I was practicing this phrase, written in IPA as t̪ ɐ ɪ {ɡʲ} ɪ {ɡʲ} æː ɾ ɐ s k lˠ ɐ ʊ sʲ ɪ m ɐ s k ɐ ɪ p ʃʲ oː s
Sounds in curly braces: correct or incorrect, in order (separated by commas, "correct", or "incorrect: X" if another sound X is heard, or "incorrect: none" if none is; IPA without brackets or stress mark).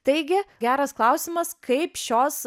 correct, correct